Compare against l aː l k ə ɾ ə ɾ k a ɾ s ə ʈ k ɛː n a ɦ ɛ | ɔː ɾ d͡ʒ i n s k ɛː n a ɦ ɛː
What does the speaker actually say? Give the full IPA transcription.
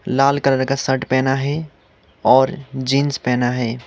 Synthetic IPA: l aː l k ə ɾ ə ɾ k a s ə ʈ p ɛː n a ɦ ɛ | ɔː ɾ d͡ʒ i n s p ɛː n a ɦ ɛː